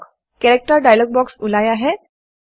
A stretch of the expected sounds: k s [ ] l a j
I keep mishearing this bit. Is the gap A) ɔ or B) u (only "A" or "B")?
B